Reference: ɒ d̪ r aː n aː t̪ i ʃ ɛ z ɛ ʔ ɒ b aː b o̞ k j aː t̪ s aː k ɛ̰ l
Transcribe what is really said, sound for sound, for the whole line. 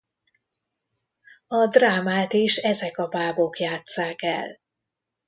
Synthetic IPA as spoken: ɒ d̪ r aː m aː t̪ i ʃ ɛ z ɛ k ɒ b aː b o̞ k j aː t̪ s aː k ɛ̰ l